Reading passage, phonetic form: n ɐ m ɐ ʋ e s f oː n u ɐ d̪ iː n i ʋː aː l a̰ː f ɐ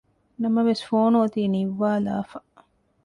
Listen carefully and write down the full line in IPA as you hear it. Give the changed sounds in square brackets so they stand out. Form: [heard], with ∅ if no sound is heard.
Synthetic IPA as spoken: n ɐ m ɐ ʋ e s f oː n u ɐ [t̪] iː n i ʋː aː l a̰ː f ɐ